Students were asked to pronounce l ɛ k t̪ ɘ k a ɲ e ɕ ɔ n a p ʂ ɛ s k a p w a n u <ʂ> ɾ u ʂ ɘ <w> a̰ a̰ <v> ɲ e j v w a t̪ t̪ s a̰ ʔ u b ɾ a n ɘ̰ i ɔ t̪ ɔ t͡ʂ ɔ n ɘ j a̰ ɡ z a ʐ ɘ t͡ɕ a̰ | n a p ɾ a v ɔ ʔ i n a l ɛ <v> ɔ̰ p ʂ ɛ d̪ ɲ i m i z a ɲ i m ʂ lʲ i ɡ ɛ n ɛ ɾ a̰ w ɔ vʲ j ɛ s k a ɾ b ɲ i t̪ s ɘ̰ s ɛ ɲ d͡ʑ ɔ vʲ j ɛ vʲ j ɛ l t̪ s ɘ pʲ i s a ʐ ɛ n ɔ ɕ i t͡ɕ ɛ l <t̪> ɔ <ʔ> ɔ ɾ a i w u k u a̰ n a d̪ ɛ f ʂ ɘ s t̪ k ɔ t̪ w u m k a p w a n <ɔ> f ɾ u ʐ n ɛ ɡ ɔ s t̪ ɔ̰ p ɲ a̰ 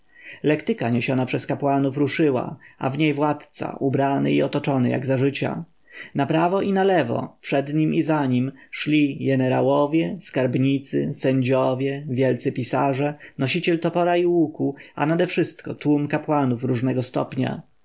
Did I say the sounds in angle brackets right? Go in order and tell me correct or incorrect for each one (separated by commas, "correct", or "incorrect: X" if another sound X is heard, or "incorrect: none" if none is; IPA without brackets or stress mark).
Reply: incorrect: f, correct, correct, correct, correct, incorrect: p, incorrect: u